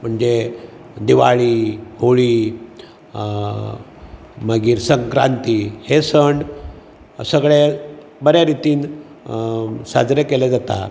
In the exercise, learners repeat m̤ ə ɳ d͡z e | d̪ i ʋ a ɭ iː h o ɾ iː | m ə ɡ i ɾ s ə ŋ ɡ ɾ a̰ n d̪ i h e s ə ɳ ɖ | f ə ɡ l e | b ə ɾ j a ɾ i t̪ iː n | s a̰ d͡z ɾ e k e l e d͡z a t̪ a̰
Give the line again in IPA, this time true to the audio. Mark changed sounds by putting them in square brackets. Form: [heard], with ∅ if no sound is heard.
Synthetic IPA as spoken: m̤ ə ɳ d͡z e | d̪ i ʋ a ɭ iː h o [ɭ] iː | m ə ɡ [iː] ɾ s ə ŋ [k] ɾ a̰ n [t̪] i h e s ə ɳ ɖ | [s] ə ɡ [ɭ] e | b ə ɾ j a ɾ i t̪ iː n | s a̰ d͡z ɾ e k e l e d͡z a t̪ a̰

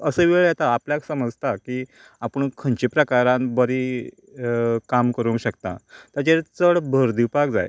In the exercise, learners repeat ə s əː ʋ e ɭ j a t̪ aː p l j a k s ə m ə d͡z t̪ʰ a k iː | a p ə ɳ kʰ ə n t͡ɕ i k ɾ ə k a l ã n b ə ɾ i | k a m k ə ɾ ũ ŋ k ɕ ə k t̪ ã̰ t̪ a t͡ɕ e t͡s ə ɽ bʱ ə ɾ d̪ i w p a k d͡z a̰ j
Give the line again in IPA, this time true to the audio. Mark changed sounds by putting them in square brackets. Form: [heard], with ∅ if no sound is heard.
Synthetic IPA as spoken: ə s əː ʋ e ɭ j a t̪ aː p l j a k s ə m ə d͡z [t̪] a k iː | a p ə ɳ kʰ ə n t͡ɕ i [p] ɾ ə k a [ɾ] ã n b ə ɾ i | k a m k ə ɾ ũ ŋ k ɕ ə k t̪ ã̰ t̪ a t͡ɕ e t͡s ə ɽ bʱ ə ɾ d̪ i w p a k d͡z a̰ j

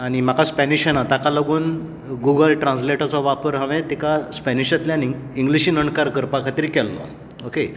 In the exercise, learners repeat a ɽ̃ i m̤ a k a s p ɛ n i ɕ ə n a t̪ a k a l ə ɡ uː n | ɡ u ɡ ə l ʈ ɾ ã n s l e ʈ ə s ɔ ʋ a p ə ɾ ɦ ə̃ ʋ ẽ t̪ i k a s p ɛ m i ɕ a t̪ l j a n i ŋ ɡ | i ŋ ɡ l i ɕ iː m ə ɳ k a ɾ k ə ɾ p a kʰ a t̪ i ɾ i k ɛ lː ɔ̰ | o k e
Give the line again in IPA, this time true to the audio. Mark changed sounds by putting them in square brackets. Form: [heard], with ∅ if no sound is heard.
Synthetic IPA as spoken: a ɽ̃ i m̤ a k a s p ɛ n i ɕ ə n a t̪ a k a l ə ɡ uː n | ɡ u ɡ ə l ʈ ɾ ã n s l e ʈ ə [t͡s] ɔ ʋ a p ə ɾ ɦ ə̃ ʋ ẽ t̪ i k a s p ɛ [n] i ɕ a t̪ l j a n i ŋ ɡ | i ŋ ɡ l i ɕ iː [n] ə ɳ k a ɾ k ə ɾ p a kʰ a t̪ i ɾ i k ɛ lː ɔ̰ | o k e

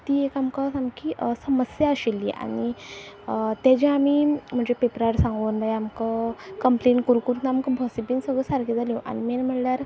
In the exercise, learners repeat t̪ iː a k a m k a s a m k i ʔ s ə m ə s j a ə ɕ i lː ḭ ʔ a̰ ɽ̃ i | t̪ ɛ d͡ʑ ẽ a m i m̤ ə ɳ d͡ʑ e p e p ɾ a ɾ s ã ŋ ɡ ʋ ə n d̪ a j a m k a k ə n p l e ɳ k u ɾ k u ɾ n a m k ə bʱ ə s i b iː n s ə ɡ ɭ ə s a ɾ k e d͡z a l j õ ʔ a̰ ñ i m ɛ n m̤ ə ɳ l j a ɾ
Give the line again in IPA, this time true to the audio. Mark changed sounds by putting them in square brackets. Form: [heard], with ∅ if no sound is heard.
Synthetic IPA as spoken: t̪ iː [e] k a m k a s a m k i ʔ s ə m ə s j a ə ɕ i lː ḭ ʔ a̰ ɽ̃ i | t̪ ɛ d͡ʑ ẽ a m i m̤ ə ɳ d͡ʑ e p e p ɾ a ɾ s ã ŋ ɡ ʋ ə n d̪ a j a m k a k ə [m] p l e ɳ k u ɾ k u ɾ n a m k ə bʱ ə s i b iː n s ə ɡ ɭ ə s a ɾ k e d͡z a l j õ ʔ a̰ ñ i m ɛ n m̤ ə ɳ l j a ɾ

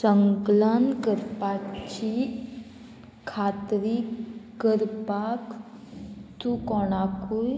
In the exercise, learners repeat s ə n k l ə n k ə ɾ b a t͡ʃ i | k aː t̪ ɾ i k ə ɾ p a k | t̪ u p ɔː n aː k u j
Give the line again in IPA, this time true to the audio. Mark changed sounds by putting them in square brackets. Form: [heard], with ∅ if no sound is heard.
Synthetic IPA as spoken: s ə [ŋ] k l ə n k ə ɾ [p] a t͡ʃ i | [kʰ] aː t̪ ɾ i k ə ɾ p a k | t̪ u [k] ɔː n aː k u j

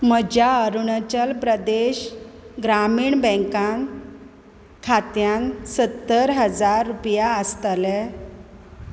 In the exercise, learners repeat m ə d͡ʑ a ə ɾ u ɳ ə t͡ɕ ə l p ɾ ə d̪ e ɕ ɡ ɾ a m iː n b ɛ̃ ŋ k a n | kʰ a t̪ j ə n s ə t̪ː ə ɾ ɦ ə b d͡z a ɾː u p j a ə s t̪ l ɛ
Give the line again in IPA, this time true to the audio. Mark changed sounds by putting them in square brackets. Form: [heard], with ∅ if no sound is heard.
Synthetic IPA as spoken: m ə d͡ʑ a ə ɾ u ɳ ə t͡ɕ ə l p ɾ ə d̪ e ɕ ɡ ɾ a m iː [ɳ] b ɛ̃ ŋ k a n | kʰ a t̪ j [a] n s ə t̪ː ə ɾ ɦ ə [∅] d͡z a ɾː u p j a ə s t̪ l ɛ

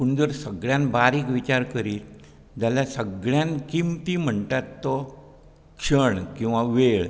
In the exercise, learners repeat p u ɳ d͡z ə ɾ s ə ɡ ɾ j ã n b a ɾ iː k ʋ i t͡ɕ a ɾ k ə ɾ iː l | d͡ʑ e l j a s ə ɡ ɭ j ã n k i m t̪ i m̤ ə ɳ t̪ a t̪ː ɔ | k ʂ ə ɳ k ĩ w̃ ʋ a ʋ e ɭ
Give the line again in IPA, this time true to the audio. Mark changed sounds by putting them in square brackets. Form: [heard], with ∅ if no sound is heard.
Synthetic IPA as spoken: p u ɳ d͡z ə ɾ s ə ɡ [ɭ] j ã n b a ɾ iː k ʋ i t͡ɕ a ɾ k ə ɾ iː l | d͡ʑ [a] l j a s ə ɡ ɭ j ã n k i m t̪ i m̤ ə ɳ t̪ a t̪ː ɔ | k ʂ ə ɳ k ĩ w̃ ʋ a ʋ e ɭ

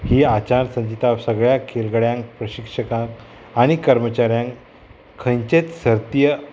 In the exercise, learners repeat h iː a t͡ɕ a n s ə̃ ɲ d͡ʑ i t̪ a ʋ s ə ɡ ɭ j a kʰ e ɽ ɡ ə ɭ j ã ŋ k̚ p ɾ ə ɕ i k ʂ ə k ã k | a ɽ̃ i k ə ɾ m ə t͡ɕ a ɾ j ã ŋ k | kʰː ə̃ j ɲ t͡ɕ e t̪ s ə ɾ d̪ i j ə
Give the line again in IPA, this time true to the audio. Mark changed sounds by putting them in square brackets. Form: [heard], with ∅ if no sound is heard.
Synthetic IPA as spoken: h iː a t͡ɕ a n s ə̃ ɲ d͡ʑ i t̪ a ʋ s ə ɡ ɭ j a kʰ e [l] ɡ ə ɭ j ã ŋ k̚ p ɾ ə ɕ i k ʂ ə k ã k | a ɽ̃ i k ə ɾ m ə t͡ɕ a ɾ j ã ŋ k | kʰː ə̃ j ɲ t͡ɕ e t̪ s ə ɾ [t̪] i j ə

